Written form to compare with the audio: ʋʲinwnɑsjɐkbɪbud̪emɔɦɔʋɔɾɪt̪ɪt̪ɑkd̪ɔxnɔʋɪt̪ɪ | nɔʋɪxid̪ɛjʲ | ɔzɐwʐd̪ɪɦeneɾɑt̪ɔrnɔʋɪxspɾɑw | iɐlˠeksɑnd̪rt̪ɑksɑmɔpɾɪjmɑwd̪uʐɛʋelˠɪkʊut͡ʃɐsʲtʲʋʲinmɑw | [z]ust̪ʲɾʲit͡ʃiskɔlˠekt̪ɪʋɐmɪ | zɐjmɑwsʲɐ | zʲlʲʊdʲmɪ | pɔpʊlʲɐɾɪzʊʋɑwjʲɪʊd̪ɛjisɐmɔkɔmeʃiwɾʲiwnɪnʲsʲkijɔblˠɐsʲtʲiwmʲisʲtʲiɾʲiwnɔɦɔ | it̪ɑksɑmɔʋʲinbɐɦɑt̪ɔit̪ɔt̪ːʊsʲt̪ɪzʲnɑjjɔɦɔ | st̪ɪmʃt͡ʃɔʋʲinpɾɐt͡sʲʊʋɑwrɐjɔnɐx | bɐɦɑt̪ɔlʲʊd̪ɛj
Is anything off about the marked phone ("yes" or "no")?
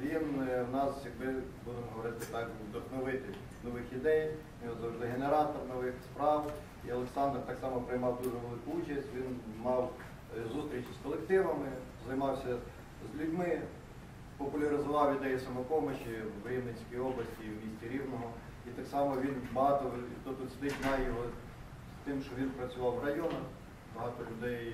no